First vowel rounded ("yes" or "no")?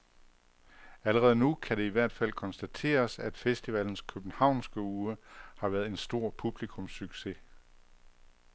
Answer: no